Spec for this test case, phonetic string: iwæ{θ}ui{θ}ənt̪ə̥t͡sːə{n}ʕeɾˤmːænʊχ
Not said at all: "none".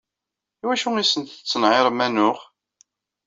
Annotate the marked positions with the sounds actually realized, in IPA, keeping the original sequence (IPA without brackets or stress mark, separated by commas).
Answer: ʃ, s, n